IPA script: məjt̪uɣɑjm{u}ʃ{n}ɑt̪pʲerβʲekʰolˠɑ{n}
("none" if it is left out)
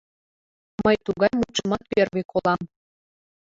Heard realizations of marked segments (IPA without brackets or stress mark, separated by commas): u, m, m